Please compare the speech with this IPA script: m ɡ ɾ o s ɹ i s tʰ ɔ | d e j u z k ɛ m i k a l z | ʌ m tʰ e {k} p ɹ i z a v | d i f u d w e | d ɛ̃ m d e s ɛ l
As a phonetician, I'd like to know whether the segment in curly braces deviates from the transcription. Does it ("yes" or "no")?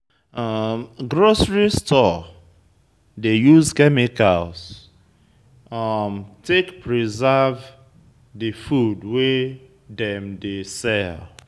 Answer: no